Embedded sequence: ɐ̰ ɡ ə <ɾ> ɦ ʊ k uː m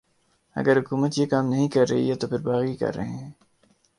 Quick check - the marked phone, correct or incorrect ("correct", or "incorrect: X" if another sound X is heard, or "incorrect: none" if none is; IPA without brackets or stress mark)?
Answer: correct